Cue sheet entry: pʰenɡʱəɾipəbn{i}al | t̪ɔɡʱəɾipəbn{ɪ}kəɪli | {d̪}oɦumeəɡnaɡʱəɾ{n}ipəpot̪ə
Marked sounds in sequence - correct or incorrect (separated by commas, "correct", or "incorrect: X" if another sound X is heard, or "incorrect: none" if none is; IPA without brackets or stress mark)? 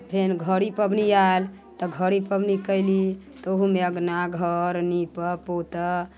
correct, incorrect: i, incorrect: t̪, correct